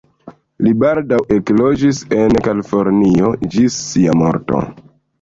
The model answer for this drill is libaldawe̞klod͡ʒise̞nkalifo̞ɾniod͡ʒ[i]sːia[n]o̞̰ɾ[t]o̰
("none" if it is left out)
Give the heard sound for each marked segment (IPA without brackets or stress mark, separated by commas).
i, m, t